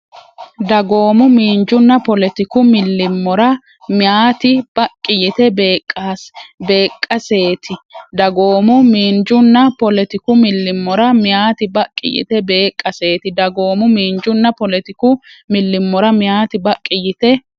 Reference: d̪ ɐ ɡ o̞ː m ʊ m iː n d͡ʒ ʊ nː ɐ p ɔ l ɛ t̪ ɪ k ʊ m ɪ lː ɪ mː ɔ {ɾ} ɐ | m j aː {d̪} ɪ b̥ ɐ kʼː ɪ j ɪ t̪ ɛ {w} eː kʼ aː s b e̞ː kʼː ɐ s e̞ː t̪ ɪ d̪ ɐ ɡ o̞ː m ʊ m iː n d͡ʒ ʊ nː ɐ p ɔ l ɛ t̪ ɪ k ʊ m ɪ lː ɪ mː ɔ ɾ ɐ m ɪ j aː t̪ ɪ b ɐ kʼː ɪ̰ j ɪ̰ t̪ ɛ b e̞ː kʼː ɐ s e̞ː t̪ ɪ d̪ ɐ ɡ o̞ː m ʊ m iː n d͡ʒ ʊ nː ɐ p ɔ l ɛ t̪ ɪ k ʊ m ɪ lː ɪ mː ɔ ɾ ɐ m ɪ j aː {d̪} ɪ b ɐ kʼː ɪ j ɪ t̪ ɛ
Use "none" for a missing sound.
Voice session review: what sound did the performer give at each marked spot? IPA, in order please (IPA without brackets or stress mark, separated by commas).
ɾ, t̪, b, t̪